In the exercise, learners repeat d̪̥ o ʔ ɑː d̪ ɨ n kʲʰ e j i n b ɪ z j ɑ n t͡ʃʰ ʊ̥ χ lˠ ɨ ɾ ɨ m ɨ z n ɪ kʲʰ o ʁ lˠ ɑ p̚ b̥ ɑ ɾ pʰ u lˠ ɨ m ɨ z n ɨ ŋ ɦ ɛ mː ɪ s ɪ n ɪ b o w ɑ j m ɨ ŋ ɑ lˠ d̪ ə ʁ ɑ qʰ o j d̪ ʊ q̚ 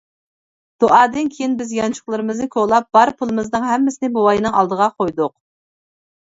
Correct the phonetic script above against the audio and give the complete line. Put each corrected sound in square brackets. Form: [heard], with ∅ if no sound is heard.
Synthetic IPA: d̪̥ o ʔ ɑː d̪ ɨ n kʲʰ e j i n b ɪ z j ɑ n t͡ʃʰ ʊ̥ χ lˠ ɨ ɾ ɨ m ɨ z n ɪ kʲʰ o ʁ lˠ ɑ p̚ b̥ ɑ ɾ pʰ u lˠ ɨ m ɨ z n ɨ ŋ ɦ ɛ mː ɪ s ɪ n ɪ b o w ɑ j [n] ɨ ŋ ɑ lˠ d̪ ə ʁ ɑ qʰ o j d̪ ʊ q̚